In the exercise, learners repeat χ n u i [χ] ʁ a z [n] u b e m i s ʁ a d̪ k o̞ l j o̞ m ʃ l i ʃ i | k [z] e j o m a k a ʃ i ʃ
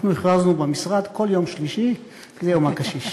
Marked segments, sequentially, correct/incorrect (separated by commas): correct, correct, correct